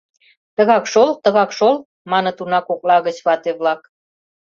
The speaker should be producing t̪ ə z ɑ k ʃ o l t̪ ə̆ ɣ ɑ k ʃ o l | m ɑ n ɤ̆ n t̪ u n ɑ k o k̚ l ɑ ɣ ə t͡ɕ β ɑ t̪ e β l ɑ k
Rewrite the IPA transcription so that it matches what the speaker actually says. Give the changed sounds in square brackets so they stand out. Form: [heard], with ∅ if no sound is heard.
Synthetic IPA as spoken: t̪ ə [ɣ] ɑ k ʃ o l t̪ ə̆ ɣ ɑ k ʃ o l | m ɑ n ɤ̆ [∅] t̪ u n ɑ k o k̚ l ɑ ɣ ə t͡ɕ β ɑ t̪ e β l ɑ k